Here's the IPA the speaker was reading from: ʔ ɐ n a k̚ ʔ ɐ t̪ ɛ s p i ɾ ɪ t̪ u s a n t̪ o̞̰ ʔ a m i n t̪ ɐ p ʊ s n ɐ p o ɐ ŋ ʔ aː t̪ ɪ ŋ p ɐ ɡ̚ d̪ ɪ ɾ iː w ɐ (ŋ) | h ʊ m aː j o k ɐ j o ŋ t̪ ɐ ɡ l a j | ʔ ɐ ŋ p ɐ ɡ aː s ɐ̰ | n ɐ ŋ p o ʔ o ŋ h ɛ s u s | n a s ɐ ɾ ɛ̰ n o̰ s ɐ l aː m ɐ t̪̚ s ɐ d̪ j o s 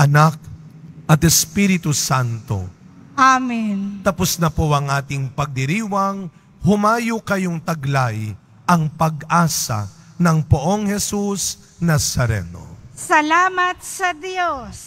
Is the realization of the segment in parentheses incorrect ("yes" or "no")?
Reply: no